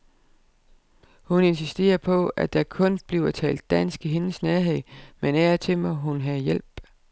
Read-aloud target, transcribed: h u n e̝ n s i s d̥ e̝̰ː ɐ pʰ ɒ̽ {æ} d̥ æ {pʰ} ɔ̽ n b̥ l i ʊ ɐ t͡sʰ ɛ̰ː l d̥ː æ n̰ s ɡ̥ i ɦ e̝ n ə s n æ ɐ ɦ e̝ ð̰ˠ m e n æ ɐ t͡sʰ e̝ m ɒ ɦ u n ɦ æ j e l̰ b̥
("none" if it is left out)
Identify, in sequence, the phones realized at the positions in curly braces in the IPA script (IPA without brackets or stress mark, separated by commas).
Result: æ, kʰ